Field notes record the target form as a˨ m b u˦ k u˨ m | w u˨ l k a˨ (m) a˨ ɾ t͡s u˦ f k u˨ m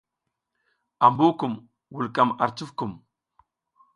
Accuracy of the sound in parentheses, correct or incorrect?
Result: correct